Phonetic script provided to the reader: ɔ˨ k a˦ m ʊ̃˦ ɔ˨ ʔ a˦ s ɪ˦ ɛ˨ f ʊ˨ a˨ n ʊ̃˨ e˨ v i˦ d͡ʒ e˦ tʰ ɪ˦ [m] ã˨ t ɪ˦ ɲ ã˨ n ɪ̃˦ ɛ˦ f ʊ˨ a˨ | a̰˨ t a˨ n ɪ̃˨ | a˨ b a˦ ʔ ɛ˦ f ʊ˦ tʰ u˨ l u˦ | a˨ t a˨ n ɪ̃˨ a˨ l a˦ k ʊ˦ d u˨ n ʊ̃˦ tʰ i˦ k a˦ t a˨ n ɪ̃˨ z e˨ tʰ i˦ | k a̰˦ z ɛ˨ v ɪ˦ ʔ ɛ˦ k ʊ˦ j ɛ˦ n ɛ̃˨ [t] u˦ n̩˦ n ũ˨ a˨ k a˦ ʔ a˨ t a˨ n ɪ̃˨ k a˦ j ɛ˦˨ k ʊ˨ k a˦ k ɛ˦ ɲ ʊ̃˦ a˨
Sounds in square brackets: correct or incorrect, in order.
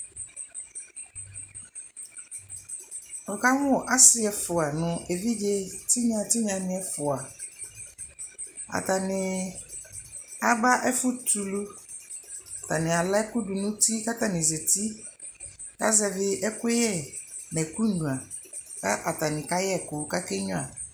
incorrect: ɲ, incorrect: k

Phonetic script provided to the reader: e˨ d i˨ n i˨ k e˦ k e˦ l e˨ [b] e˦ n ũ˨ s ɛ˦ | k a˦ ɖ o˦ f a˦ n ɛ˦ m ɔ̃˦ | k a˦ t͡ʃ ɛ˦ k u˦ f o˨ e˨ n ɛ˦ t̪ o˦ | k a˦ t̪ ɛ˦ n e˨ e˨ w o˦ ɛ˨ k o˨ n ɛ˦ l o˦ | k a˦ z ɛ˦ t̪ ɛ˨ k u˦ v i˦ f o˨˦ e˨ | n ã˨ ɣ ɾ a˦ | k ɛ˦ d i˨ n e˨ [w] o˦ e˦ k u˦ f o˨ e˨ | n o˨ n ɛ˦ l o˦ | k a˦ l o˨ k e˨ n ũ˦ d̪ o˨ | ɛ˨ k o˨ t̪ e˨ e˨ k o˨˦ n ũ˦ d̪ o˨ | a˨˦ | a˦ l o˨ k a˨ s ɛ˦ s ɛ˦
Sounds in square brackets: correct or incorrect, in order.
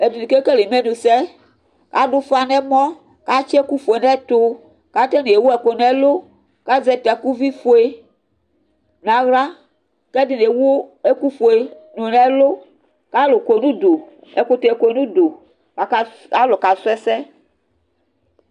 incorrect: m, correct

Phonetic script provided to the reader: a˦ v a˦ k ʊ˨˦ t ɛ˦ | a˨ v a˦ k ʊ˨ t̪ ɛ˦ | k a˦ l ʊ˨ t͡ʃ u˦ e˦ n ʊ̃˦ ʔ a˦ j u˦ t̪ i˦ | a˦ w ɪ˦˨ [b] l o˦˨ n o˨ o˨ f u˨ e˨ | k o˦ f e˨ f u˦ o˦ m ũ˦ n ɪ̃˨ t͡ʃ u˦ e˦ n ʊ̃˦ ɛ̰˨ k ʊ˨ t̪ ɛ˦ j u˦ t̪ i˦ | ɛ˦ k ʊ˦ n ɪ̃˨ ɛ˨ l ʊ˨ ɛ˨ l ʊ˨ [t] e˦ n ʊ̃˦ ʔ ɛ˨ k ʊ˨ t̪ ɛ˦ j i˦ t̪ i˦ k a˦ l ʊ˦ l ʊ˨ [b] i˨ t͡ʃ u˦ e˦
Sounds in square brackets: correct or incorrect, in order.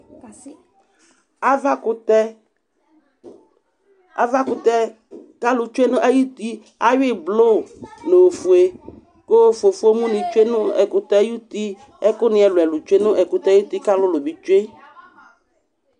correct, incorrect: t͡ʃ, correct

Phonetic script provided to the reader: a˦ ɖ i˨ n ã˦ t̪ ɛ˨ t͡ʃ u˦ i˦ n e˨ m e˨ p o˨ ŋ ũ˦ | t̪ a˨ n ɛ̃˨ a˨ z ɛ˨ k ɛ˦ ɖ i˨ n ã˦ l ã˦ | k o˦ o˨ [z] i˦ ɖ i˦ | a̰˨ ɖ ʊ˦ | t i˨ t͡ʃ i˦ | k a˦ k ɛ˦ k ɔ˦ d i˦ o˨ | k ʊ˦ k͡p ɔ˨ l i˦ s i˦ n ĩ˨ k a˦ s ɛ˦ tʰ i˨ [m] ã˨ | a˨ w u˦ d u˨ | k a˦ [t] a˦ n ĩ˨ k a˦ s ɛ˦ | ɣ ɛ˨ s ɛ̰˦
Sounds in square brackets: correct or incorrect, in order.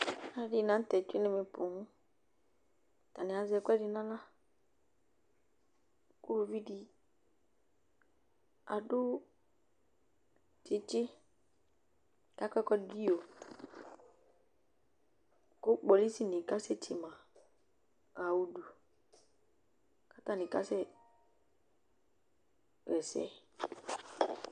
incorrect: v, correct, correct

